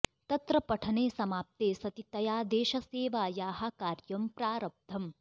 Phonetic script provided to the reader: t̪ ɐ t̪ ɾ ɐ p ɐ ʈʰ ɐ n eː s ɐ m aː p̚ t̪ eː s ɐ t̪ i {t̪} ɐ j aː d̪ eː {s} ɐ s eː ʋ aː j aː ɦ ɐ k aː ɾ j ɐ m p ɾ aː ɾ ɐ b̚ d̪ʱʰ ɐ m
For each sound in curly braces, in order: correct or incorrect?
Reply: correct, incorrect: ʃ

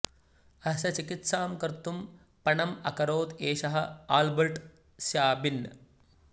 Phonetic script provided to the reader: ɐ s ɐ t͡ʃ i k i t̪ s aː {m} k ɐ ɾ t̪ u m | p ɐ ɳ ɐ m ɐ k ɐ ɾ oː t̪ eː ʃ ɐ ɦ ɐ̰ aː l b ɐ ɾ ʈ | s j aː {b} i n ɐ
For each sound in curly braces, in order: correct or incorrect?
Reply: correct, correct

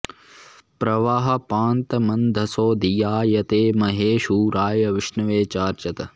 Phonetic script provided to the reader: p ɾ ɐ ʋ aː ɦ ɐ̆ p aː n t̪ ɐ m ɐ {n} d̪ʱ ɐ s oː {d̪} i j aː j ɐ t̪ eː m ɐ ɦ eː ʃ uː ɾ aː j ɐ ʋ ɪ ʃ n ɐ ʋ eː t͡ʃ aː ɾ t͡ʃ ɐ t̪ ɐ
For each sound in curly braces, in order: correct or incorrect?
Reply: correct, correct

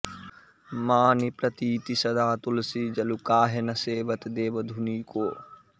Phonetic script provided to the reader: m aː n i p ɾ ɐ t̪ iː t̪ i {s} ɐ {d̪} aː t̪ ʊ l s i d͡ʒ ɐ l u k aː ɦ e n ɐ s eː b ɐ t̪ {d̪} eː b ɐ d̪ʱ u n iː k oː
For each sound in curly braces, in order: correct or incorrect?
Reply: correct, correct, correct

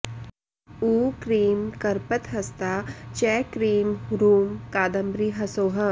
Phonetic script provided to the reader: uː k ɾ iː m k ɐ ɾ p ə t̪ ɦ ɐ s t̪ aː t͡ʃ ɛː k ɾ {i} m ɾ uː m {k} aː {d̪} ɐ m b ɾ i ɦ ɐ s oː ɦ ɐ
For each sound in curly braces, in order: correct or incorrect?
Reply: incorrect: iː, correct, correct

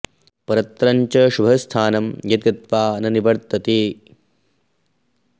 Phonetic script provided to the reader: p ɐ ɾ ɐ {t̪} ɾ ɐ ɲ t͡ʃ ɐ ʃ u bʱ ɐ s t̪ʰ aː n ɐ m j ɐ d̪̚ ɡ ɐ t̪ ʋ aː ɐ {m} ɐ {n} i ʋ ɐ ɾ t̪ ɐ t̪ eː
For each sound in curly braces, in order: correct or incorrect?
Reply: correct, incorrect: n, correct

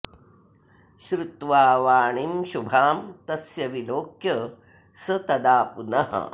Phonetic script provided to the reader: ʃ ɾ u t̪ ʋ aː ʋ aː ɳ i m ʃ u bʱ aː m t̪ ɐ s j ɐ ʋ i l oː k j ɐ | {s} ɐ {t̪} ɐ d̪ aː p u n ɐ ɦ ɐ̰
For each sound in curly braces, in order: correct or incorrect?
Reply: correct, correct

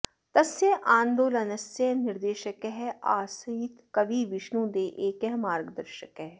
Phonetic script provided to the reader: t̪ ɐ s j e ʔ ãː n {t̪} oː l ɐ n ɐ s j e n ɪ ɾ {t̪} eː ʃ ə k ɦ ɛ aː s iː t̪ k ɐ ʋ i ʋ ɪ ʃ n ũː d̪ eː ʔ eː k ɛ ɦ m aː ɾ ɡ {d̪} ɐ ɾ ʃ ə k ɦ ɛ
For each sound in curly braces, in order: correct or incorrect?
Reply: incorrect: d̪, incorrect: d̪, correct

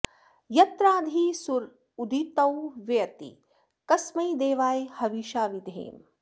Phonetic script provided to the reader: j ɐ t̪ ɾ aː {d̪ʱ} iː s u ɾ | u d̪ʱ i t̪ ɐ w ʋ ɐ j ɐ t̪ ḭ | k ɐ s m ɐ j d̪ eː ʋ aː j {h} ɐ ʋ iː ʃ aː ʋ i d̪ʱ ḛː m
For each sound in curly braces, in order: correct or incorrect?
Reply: correct, correct

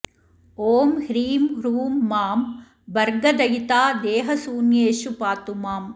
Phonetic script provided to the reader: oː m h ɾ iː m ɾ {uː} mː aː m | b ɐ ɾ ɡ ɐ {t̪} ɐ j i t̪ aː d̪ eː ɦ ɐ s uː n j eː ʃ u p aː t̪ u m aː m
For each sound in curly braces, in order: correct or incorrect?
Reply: correct, incorrect: d̪

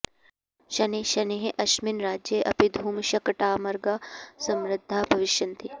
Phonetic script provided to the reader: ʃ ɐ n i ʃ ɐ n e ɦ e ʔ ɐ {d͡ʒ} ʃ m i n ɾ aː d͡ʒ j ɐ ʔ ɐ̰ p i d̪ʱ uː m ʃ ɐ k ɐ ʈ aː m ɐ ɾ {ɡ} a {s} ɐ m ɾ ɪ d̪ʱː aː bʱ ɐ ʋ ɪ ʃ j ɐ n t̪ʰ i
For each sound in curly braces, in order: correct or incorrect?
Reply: incorrect: none, correct, correct

